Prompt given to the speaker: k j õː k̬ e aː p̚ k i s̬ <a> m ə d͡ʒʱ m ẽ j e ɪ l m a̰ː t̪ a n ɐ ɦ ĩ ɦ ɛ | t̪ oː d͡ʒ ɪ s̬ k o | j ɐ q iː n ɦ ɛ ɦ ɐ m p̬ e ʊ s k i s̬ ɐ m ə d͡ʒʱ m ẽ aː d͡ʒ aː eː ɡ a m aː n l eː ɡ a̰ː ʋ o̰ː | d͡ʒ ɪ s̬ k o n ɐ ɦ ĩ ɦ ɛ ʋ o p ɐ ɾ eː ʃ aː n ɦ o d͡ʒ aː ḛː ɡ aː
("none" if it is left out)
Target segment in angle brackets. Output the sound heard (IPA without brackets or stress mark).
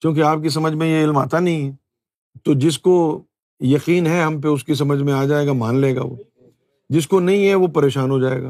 ɐ